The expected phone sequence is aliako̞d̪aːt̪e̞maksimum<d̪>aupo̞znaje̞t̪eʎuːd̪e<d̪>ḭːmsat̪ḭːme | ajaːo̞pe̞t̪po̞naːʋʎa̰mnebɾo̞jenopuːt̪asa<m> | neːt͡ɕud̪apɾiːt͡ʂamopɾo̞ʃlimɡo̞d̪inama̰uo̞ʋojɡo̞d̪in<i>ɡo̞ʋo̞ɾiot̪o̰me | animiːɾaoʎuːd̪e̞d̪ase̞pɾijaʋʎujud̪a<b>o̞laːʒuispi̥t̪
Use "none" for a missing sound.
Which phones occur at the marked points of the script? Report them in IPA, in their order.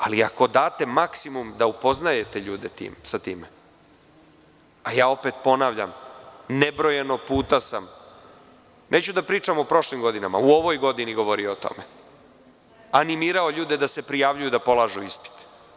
d̪, t̪, m, i, p

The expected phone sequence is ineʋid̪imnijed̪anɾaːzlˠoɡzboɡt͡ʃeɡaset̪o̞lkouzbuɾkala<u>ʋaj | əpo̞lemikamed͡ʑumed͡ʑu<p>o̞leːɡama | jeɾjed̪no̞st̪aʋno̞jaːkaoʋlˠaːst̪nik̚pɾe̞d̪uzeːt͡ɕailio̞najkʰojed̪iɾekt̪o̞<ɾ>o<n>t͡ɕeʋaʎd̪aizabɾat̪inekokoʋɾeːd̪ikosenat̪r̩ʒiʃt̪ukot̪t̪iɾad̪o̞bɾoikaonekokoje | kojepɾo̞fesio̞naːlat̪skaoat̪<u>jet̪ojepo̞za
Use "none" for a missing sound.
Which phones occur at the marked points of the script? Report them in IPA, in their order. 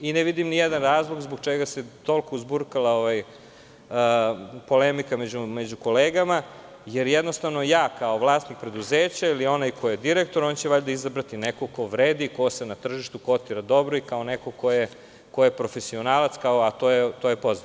o, k, ɾ, n, o

